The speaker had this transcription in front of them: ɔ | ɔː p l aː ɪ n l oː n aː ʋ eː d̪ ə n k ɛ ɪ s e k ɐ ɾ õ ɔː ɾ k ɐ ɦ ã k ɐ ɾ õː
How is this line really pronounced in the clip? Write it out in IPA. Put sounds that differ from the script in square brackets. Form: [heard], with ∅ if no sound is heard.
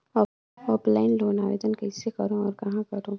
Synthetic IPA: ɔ | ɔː p l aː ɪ n l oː n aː ʋ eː d̪ ə n k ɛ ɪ s e k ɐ ɾ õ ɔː ɾ k ɐ ɦ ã k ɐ ɾ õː